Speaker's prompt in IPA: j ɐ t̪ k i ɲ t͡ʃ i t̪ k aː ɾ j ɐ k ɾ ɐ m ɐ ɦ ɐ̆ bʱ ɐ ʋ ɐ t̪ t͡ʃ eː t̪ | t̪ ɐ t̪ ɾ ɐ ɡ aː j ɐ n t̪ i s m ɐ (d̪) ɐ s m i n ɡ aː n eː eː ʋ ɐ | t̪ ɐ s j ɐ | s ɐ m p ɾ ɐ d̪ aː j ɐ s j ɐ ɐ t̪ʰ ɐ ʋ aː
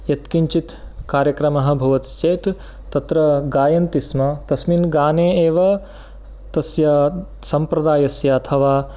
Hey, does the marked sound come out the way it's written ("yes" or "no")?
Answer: no